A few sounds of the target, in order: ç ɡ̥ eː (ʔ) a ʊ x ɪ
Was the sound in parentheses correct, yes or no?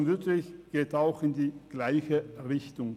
no